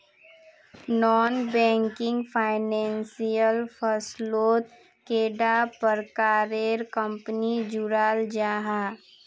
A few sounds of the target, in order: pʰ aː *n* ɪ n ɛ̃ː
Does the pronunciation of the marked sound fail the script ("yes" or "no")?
yes